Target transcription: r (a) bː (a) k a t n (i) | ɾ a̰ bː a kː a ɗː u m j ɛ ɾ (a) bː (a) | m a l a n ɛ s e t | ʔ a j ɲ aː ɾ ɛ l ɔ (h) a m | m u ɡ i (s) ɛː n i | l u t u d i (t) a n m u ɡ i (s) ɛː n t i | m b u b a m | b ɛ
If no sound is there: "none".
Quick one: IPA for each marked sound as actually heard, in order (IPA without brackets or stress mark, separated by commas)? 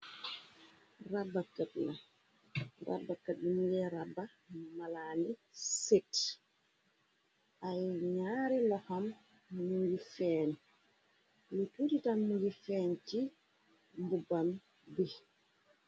a, a, a, a, a, h, f, t, f